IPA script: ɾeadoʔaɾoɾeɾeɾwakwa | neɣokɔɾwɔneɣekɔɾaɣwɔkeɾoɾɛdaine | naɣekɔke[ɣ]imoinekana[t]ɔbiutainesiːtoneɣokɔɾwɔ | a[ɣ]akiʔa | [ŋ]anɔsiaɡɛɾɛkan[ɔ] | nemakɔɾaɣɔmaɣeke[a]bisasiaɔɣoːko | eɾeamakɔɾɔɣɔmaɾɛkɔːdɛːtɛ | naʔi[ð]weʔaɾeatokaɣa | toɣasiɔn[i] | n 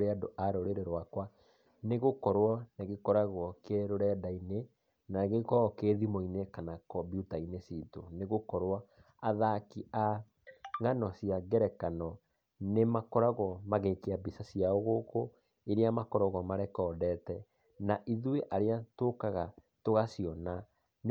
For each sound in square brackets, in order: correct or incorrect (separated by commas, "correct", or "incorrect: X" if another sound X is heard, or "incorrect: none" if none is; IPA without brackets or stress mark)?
incorrect: ð, incorrect: k, incorrect: ð, correct, correct, correct, correct, incorrect: a